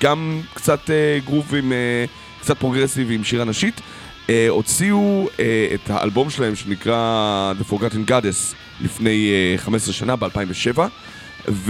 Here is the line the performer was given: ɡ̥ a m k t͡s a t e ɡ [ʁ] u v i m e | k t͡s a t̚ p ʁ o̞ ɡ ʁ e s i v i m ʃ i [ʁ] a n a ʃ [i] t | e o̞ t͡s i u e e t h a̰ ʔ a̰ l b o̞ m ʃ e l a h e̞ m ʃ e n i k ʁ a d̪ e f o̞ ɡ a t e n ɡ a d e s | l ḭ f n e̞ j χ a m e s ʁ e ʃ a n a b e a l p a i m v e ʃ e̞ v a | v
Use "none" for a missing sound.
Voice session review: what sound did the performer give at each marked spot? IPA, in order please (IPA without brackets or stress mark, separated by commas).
ʁ, ʁ, i